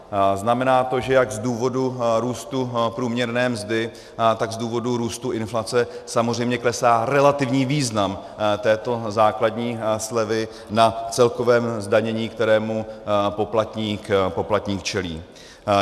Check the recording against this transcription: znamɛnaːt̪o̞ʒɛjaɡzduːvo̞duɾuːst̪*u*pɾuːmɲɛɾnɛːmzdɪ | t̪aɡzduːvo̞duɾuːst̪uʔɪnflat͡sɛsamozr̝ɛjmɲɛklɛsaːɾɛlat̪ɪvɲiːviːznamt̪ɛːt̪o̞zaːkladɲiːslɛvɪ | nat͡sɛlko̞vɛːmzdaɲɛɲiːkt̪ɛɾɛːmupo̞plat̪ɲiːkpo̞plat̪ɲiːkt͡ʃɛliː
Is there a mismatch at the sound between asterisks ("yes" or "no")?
no